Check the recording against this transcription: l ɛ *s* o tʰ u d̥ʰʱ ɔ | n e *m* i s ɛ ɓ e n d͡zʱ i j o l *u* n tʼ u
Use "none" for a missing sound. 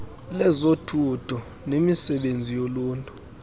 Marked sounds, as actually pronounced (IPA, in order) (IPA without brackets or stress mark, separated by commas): z, m, uː